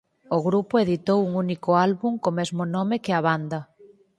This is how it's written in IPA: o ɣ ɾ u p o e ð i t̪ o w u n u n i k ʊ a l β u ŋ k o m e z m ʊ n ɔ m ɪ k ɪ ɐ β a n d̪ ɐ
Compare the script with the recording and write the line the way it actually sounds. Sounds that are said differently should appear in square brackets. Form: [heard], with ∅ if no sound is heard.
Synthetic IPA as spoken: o ɣ ɾ u p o e ð i t̪ o w u [ŋ] u n i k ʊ a l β u ŋ k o m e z m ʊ n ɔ m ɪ k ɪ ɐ β a n d̪ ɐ